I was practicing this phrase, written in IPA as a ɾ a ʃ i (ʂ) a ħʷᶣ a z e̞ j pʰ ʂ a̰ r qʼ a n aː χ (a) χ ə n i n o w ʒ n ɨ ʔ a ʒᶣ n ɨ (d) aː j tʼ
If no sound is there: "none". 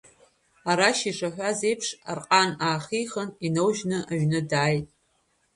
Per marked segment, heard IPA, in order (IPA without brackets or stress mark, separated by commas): ʂ, i, d